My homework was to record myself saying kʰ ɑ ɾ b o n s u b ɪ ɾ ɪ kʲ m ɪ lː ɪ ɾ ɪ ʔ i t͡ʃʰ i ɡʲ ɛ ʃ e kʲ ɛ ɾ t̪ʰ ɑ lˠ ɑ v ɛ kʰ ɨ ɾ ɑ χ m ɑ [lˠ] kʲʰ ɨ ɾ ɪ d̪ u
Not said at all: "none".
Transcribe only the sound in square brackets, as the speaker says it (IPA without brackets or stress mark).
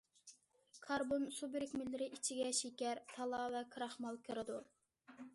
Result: lˠ